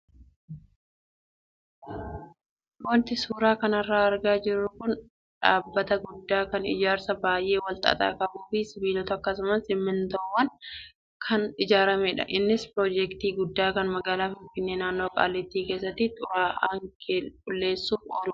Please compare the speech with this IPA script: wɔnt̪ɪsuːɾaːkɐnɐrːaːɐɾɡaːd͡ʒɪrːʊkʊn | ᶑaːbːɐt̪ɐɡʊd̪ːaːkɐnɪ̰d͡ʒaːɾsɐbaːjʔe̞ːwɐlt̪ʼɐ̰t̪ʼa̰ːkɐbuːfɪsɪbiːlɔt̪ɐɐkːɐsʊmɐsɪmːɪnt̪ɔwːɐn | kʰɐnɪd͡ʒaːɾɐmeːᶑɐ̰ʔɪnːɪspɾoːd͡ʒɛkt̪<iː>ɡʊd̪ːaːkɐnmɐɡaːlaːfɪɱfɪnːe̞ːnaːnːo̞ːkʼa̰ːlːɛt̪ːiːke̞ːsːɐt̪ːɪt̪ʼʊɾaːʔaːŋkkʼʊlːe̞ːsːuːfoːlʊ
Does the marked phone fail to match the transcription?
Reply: no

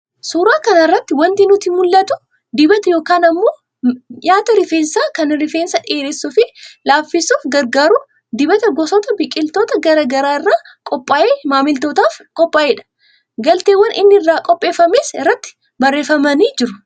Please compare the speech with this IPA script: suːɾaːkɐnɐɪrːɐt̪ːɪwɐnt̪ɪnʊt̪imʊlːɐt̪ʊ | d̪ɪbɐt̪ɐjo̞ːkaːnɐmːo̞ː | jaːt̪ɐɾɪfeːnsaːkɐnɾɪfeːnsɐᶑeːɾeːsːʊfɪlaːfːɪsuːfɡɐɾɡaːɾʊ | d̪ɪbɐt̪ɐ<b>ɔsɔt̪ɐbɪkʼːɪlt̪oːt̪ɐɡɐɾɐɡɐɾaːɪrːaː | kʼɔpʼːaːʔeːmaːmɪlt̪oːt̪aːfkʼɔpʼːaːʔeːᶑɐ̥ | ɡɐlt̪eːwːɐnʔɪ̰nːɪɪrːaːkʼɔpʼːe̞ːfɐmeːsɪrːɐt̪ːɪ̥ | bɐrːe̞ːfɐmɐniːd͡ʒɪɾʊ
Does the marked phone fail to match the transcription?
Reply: yes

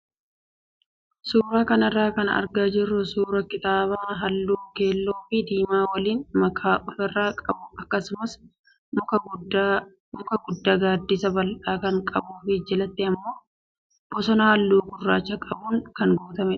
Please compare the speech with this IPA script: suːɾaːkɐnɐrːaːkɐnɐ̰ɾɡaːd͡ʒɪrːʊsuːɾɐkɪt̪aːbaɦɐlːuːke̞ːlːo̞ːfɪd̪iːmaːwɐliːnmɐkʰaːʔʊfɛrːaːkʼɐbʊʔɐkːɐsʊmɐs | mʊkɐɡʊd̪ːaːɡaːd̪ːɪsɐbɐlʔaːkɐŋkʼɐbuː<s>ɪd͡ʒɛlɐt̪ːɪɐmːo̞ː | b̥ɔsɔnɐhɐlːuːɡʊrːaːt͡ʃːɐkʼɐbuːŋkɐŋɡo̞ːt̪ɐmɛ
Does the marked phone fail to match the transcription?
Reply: yes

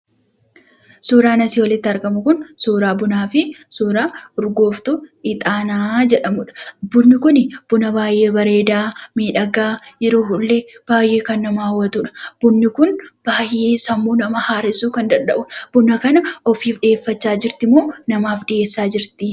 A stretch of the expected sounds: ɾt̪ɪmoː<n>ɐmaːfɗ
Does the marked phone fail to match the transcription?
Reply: no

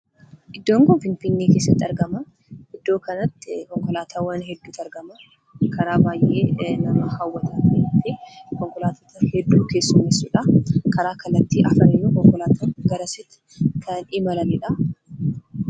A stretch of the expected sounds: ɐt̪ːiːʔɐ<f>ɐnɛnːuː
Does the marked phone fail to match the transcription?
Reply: no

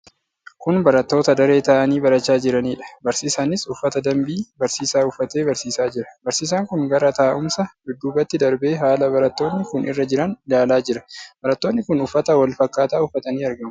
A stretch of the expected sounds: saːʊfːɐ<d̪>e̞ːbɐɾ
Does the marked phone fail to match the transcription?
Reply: yes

